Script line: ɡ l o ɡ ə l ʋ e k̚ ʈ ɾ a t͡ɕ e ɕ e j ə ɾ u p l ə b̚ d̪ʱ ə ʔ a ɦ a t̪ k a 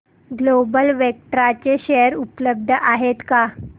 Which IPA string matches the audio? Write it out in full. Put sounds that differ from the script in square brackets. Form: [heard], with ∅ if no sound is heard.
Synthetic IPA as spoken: ɡ l o [b] ə l ʋ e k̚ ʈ ɾ a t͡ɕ e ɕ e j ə ɾ u p l ə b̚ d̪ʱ ə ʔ a ɦ [e] t̪ k a

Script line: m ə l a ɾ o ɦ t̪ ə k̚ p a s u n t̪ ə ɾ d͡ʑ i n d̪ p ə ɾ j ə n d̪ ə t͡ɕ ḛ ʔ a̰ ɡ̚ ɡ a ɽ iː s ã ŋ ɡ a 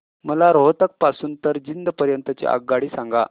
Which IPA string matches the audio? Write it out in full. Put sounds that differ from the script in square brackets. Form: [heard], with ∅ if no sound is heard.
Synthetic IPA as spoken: m ə l a ɾ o ɦ t̪ ə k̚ p a s [uː] n t̪ ə ɾ d͡ʑ i n d̪ p ə ɾ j ə n [t̪] ə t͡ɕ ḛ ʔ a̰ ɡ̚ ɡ a ɽ iː s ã ŋ ɡ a

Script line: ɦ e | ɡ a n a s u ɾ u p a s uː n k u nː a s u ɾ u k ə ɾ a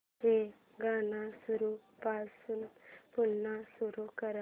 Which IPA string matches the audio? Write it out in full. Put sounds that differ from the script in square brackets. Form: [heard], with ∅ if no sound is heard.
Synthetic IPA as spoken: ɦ e | ɡ a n a s u ɾ u p a s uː n [p] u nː a s u ɾ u k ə ɾ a

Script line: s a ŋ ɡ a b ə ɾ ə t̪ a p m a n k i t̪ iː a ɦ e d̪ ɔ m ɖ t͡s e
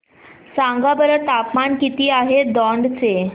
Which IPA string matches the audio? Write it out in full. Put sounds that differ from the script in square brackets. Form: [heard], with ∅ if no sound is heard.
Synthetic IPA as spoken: s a ŋ ɡ a b ə ɾ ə t̪ a p m a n k i t̪ iː a ɦ e d̪ ɔ [ɳ] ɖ t͡s e

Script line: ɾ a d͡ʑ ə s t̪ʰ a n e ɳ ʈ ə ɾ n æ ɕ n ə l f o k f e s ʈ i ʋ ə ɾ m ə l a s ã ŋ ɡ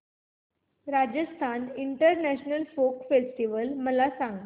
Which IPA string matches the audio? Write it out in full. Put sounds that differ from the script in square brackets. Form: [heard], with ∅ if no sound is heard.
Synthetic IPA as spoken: ɾ a d͡ʑ ə s t̪ʰ a n [i] ɳ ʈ ə ɾ n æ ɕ n ə l f o k f e s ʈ i ʋ ə [l] m ə l a s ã ŋ ɡ

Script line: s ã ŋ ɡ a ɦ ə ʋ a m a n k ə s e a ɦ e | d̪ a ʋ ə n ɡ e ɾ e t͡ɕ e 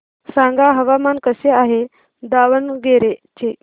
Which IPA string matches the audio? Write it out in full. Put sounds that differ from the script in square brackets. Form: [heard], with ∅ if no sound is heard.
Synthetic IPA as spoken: s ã ŋ ɡ a ɦ ə ʋ a m a n k ə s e a ɦ e | d̪ a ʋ ə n ɡ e ɾ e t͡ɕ e

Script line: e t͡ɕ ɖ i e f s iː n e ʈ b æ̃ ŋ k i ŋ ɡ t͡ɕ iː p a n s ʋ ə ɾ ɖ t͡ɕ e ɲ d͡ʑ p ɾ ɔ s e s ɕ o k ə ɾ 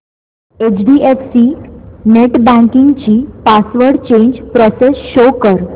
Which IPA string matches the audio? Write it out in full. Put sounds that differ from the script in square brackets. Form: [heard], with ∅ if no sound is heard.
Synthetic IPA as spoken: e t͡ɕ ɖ i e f s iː n e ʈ b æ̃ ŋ k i ŋ ɡ t͡ɕ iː p a [∅] s ʋ ə ɾ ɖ t͡ɕ e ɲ d͡ʑ p ɾ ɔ s e s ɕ o k ə ɾ

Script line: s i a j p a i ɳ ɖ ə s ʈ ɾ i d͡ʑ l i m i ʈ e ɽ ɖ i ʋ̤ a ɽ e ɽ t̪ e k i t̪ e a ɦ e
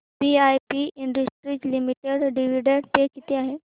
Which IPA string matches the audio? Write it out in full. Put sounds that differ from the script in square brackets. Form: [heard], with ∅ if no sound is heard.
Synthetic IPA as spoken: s i a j p [i] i ɳ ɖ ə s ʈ ɾ i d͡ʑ l i m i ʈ e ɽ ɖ i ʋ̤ [i] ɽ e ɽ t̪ e k i t̪ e a ɦ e

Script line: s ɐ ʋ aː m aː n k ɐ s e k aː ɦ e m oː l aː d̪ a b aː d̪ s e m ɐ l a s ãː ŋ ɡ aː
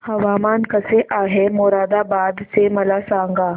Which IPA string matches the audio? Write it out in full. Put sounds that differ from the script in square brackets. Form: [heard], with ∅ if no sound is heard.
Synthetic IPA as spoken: [h] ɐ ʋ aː m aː n k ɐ s e [ʔ] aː ɦ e m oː [ɾ] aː d̪ a b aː d̪ s e m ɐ l a s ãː ŋ ɡ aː

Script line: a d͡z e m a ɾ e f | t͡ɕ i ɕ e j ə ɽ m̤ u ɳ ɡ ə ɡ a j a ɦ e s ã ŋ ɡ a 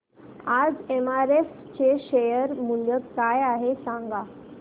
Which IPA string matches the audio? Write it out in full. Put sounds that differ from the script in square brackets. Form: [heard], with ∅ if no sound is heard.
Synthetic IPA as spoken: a d͡z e m a ɾ e f | t͡ɕ [e] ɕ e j ə [ɾ] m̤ u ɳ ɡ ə [k] a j a ɦ e s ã ŋ ɡ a

